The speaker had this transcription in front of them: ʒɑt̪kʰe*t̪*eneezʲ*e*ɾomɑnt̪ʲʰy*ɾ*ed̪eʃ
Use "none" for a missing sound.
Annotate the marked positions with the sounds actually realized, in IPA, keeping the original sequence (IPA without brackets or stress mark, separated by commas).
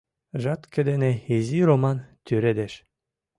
d̪, i, ɾ